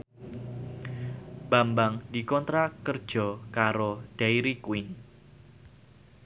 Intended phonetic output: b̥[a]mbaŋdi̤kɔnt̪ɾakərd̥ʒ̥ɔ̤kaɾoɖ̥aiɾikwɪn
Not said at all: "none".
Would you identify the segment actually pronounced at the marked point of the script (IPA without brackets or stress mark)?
a